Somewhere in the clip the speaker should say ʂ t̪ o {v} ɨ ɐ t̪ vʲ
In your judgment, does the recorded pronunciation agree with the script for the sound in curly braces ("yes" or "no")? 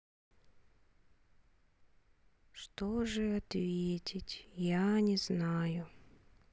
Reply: no